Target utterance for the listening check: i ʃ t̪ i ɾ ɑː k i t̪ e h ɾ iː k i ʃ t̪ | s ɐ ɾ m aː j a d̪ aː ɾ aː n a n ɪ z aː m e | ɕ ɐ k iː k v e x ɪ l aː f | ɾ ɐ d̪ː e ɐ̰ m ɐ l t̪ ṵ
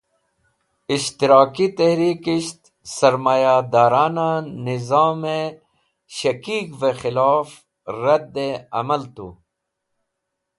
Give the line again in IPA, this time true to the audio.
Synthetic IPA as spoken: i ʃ t̪ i ɾ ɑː k i t̪ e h ɾ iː k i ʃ t̪ | s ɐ ɾ m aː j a d̪ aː ɾ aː n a n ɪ z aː m e | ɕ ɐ k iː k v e x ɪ l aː f | ɾ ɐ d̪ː e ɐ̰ m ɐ l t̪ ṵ

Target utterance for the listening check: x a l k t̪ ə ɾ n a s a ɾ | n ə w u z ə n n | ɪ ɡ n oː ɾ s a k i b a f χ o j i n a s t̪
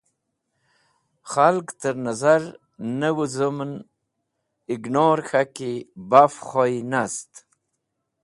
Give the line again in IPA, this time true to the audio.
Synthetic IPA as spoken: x a l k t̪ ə ɾ n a z a ɾ | n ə w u z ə m n | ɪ ɡ n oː ɾ x a k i b a f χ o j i n a s t̪

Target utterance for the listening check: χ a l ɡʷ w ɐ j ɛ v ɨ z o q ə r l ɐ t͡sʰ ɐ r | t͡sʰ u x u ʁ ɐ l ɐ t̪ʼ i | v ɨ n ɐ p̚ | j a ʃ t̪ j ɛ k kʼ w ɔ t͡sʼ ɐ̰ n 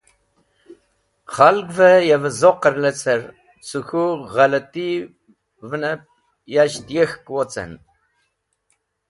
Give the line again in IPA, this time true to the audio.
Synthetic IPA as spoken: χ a l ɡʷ v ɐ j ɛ v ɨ z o q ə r l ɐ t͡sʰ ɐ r | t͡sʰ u x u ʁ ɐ l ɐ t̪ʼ i | v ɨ n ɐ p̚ | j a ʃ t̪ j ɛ x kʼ w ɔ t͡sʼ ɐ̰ n

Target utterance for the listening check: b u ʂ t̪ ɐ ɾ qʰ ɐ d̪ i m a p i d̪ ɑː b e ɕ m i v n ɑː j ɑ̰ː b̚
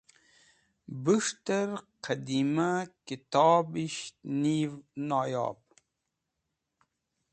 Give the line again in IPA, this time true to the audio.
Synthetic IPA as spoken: b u ʂ t̪ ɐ ɾ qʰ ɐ d̪ i m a k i t̪ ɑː b i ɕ n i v n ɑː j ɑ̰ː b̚

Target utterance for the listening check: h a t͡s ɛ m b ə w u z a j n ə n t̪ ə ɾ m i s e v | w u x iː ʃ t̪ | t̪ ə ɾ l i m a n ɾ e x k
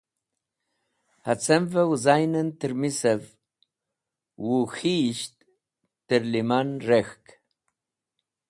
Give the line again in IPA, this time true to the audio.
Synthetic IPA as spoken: h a t͡s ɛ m v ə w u z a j n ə n t̪ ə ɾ m i s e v | w u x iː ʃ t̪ | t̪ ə ɾ l i m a n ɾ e x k

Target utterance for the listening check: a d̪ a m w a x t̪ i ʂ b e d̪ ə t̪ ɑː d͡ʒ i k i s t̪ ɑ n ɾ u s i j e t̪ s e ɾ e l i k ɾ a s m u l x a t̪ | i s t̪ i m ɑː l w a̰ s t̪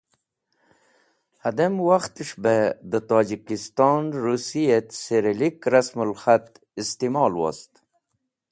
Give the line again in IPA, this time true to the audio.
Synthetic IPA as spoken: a d̪ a m w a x t̪ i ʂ b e d̪ ə t̪ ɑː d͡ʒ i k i s t̪ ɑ n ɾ u s i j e t̪ s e ɾ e l i k ɾ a s m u l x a t̪ | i s t̪ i m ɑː l w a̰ s t̪

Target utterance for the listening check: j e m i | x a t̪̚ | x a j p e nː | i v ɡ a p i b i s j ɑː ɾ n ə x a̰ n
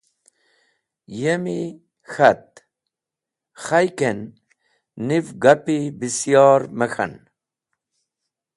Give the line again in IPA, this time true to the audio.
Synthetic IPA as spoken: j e m i | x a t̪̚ | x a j k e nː | i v ɡ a p i b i s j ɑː ɾ m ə x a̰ n

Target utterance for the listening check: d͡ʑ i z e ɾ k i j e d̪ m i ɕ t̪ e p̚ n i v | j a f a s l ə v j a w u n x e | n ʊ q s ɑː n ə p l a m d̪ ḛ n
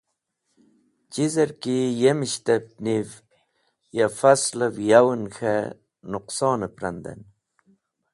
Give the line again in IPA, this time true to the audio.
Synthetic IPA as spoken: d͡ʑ i z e ɾ k i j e m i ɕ t̪ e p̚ n i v | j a f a s l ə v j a w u n x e | n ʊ q s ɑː n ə p ɾ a n d̪ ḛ n

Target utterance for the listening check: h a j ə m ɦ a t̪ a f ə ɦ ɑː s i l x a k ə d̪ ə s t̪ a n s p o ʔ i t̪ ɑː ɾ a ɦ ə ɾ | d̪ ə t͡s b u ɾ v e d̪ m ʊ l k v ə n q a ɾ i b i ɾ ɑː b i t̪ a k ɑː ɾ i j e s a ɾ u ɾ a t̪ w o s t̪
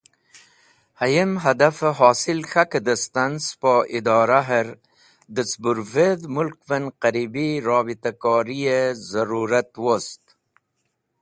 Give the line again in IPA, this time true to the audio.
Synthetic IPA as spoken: h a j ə m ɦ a d̪ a f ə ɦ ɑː s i l x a k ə d̪ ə s t̪ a n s p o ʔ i d̪ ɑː ɾ a ɦ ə ɾ | d̪ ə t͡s b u ɾ v e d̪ m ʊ l k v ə n q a ɾ i b i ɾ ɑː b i t̪ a k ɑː ɾ i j e z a ɾ u ɾ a t̪ w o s t̪

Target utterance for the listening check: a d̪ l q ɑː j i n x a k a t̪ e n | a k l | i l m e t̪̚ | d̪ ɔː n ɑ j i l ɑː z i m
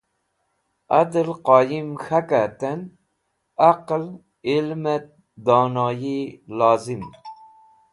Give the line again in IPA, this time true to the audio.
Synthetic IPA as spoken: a d̪ l q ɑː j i m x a k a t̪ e n | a q l | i l m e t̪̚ | d̪ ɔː n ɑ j i l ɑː z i m

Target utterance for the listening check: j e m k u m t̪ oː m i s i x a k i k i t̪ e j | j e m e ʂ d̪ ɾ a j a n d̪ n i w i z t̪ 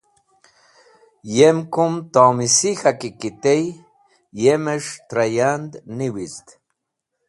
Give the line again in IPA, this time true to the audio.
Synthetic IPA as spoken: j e m k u m t̪ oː m i s i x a k i k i t̪ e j | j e m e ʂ t̪ ɾ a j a n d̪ n i w i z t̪

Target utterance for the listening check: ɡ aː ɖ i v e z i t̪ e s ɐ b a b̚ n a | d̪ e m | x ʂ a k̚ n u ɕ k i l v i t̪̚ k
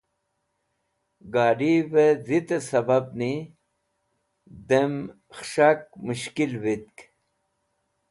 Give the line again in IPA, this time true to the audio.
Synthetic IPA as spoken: ɡ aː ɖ i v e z i t̪ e s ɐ b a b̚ n i | d̪ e m | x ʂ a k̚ m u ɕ k i l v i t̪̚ k

